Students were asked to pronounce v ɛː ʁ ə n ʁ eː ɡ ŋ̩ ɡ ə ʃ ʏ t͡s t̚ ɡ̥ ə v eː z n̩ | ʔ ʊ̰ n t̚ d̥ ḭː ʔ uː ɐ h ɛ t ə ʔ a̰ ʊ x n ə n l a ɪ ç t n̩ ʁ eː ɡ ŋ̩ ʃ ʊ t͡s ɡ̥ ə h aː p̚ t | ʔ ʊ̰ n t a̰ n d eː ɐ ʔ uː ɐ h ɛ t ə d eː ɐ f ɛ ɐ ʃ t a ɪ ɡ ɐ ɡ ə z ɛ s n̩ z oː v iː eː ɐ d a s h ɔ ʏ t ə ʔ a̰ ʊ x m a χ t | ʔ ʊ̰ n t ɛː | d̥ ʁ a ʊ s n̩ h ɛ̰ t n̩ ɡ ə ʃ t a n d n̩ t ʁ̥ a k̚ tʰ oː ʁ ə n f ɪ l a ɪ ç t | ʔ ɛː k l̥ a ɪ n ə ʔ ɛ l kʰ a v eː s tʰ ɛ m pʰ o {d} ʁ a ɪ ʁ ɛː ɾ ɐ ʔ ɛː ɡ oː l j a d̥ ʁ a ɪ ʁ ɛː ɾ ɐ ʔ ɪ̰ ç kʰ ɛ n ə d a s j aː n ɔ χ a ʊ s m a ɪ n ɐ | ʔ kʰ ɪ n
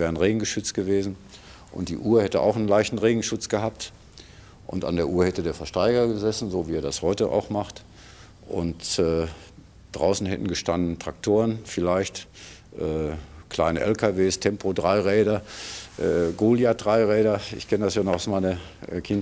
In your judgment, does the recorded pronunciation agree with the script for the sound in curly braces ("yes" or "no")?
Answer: yes